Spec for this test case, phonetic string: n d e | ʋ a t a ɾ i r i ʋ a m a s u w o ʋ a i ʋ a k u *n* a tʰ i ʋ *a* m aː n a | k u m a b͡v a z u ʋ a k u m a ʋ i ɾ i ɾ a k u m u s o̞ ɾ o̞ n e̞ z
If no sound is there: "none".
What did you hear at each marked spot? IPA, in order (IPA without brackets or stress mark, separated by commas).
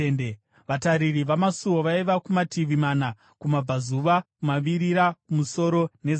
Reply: m, i